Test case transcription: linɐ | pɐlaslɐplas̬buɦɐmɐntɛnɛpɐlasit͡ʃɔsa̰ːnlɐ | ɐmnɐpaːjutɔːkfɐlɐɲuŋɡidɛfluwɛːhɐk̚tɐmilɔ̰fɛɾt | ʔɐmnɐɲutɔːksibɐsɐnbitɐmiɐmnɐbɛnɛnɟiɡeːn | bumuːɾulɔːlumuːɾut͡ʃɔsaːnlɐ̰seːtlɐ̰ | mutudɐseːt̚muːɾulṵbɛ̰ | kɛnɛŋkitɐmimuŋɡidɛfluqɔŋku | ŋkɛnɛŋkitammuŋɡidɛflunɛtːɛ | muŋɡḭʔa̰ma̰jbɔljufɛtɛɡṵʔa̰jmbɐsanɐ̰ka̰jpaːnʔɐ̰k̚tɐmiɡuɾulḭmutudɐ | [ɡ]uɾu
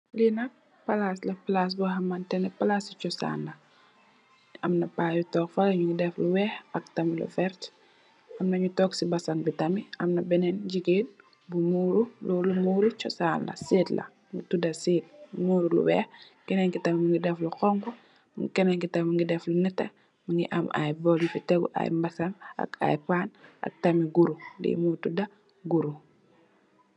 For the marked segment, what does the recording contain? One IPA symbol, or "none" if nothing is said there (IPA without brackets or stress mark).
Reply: ɡ